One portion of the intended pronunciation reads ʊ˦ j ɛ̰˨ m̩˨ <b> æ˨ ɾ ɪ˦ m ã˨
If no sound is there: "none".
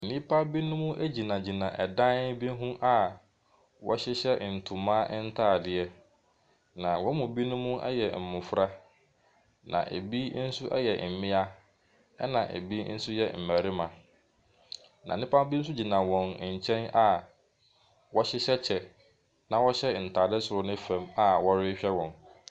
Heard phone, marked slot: m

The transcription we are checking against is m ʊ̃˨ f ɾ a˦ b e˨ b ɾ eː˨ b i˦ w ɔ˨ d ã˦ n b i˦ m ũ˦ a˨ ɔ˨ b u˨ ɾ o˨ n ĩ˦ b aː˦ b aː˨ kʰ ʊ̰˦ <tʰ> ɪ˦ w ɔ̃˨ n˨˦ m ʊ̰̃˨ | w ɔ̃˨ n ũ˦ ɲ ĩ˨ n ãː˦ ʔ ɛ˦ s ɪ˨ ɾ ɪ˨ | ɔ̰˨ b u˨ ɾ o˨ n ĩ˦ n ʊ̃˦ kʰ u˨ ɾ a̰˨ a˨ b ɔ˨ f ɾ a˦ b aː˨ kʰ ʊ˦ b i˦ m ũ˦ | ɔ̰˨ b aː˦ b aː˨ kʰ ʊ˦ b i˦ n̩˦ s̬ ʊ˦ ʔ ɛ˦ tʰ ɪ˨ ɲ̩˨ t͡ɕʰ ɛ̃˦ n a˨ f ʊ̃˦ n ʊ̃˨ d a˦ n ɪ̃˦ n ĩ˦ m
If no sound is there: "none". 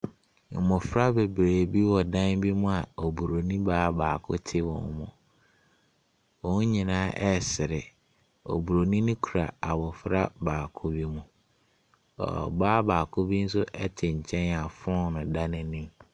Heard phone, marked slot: tʰ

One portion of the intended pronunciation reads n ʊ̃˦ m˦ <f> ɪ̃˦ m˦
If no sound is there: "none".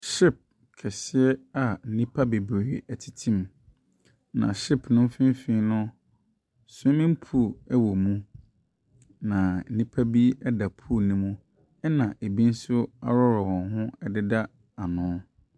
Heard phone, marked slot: f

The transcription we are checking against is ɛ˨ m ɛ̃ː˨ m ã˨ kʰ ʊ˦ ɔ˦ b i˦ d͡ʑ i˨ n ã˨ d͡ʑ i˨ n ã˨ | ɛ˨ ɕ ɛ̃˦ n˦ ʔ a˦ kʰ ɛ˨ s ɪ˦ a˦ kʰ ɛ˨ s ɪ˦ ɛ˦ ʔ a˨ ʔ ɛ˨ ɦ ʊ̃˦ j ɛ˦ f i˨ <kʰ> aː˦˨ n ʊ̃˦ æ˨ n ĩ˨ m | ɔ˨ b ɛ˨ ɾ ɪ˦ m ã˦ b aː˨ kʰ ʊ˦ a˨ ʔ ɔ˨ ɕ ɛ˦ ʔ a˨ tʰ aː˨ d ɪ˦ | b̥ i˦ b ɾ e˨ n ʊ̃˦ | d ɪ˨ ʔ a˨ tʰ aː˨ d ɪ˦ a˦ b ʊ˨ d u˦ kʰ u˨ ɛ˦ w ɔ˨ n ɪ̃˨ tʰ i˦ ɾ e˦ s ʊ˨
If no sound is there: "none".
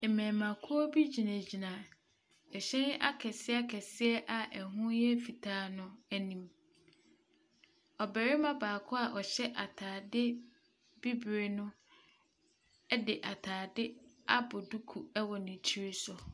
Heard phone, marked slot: tʰ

